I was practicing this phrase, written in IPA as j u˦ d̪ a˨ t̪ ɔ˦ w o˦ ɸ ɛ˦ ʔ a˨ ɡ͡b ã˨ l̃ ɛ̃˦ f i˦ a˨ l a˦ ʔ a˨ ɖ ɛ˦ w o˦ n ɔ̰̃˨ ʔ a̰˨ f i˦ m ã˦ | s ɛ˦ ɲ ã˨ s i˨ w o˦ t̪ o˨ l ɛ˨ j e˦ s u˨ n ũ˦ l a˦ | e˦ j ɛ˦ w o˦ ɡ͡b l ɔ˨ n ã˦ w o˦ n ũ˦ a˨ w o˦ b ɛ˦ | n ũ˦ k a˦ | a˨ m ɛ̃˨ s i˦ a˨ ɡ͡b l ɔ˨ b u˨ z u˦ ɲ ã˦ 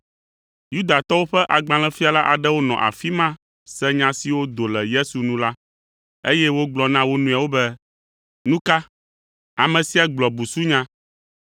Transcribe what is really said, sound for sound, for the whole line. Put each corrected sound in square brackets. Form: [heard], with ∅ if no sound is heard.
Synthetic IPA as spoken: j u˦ d̪ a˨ t̪ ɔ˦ w o˦ ɸ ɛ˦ ʔ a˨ ɡ͡b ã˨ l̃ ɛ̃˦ f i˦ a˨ l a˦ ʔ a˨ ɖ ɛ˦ w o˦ n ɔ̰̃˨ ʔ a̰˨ f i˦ m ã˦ | s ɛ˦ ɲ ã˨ s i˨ w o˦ [d̪] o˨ l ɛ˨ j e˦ s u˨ n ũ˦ l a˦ | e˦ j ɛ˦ w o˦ ɡ͡b l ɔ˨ n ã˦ w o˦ n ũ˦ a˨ w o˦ b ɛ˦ | n ũ˦ k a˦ | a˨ m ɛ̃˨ s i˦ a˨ ɡ͡b l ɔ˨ b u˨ [s] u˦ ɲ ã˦